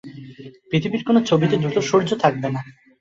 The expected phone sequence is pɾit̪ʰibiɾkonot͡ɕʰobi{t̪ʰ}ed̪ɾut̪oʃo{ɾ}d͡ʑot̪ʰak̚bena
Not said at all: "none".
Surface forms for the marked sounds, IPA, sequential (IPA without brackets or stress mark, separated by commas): t̪, ɾ